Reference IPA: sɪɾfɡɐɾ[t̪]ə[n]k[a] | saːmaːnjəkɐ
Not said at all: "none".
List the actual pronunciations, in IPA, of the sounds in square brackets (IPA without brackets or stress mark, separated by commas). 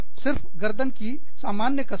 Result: d̪, n, i